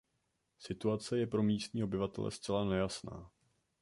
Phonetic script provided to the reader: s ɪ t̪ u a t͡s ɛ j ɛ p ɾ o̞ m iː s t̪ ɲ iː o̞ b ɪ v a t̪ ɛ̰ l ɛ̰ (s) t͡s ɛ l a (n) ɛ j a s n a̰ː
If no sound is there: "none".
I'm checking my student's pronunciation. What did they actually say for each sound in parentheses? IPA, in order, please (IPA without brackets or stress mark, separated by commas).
s, n